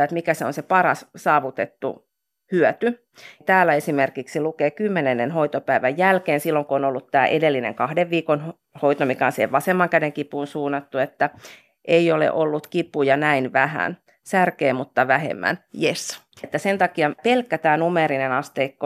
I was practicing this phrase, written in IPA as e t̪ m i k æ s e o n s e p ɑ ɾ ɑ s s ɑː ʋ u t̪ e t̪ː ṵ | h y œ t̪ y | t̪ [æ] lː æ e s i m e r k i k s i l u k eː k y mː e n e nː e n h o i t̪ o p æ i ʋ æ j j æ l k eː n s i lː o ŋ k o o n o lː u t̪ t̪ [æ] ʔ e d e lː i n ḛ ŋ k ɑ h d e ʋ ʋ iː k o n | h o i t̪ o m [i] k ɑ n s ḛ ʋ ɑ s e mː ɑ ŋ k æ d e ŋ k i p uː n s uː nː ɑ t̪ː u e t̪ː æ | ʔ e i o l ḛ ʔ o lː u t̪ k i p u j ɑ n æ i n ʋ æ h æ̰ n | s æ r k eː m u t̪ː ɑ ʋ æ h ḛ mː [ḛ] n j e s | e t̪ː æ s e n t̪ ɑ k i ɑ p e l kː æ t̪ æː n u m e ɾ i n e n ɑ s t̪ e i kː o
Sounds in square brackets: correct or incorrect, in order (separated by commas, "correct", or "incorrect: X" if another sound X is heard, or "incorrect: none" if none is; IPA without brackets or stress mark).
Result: incorrect: æː, incorrect: æː, correct, incorrect: æ̰